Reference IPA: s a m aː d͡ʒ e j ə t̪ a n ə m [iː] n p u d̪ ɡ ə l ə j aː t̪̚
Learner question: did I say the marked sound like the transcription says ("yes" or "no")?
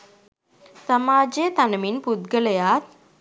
no